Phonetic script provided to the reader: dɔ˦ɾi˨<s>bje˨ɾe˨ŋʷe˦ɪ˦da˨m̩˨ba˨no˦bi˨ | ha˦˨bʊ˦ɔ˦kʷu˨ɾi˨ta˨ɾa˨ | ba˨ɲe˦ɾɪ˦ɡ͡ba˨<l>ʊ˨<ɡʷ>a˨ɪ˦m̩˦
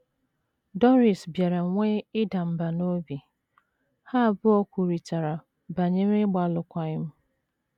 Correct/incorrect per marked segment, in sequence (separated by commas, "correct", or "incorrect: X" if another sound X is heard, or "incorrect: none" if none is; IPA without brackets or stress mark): correct, correct, incorrect: kʷ